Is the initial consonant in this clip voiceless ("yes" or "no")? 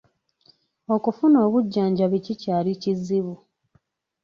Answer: yes